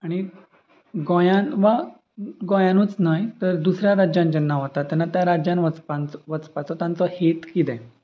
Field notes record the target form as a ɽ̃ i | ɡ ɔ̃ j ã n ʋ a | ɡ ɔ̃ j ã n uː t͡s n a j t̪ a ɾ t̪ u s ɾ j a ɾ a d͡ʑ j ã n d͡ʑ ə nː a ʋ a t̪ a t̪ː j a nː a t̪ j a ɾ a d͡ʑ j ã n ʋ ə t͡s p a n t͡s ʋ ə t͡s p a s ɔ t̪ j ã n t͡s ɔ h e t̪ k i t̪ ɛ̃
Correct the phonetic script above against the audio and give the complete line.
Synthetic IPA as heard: a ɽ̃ i | ɡ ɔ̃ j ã n ʋ a | ɡ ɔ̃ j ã n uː t͡s n a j t̪ ə ɾ d̪ u s ɾ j a ɾ a d͡ʑ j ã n d͡ʑ ə nː a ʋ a t̪ a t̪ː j a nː a t̪ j a ɾ a d͡ʑ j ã n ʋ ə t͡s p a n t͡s ʋ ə t͡s p a t͡s ɔ t̪ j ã n t͡s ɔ h e t̪ k i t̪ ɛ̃